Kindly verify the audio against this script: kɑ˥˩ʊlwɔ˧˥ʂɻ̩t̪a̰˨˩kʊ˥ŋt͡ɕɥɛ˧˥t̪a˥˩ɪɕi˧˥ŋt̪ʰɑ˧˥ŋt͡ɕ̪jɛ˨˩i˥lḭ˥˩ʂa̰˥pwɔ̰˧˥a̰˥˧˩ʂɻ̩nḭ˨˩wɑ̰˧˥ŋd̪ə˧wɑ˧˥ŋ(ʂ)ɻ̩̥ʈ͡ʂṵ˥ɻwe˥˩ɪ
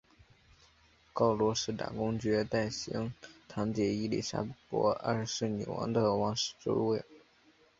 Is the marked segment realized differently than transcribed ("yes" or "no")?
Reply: no